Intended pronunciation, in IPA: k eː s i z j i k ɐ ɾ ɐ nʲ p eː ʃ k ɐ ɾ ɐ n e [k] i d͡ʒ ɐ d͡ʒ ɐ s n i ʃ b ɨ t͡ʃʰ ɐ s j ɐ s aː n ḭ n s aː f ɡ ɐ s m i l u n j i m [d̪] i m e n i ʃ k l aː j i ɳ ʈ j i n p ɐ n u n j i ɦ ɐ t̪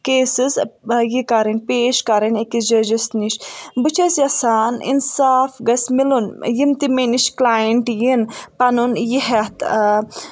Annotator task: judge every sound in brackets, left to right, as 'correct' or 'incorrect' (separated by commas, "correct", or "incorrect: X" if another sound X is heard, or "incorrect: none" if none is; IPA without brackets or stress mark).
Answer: correct, incorrect: t̪